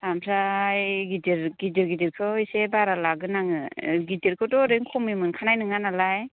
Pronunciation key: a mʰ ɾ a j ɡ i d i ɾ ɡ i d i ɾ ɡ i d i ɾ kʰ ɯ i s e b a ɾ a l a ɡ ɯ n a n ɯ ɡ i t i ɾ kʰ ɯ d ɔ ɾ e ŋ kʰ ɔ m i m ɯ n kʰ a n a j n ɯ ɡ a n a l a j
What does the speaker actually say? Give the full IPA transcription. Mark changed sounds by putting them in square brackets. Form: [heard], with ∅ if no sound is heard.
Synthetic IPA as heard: a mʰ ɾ a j ɡ i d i ɾ ɡ i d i ɾ ɡ i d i ɾ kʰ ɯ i s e b a ɾ a l a ɡ ɯ n a [ŋ] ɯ ɡ i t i ɾ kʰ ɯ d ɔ ɾ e ŋ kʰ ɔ m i m ɯ n kʰ a n a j n ɯ [ŋ] a n a l a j